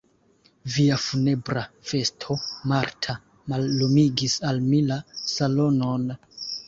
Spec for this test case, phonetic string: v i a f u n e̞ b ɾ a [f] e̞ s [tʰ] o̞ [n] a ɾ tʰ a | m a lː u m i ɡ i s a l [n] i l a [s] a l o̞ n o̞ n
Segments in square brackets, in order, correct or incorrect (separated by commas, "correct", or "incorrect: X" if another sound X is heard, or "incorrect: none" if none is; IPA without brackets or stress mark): correct, correct, incorrect: m, incorrect: m, correct